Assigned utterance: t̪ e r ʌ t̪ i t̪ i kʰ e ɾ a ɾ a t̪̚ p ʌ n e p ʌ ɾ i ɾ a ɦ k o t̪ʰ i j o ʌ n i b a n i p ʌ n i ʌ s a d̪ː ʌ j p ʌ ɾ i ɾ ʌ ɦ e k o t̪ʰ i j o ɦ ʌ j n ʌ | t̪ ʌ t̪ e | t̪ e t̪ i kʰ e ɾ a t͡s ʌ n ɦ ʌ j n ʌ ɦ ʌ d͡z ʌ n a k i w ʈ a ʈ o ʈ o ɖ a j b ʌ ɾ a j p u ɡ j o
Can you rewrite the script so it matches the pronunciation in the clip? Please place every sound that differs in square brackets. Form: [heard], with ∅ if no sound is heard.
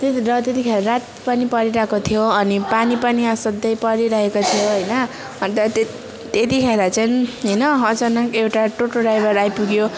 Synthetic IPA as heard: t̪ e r ʌ t̪ [e] t̪ i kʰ e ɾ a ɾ a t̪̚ p ʌ n [i] p ʌ ɾ i ɾ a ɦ k o t̪ʰ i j o ʌ n i [p] a n i p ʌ n i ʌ s [ʌ] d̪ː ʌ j p ʌ ɾ i ɾ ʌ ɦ e k o t̪ʰ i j o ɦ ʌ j n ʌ | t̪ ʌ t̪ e | t̪ e t̪ i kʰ e ɾ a t͡s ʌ n ɦ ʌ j n ʌ ɦ ʌ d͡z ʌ n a k [e] w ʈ a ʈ o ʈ o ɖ a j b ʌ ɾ a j p u ɡ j o